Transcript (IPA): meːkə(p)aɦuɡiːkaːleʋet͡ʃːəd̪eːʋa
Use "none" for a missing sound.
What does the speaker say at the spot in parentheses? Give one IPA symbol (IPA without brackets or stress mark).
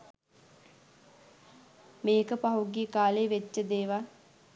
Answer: p